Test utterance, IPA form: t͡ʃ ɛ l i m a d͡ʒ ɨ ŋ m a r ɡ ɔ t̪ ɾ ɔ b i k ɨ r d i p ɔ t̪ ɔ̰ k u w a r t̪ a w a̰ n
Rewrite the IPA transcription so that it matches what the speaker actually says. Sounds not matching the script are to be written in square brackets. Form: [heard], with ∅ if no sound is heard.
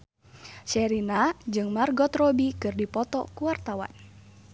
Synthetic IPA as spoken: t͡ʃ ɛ [ɾ] i [n] a d͡ʒ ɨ ŋ m a r ɡ ɔ t̪ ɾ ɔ b i k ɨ r d i p ɔ t̪ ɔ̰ k u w a r t̪ a w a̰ n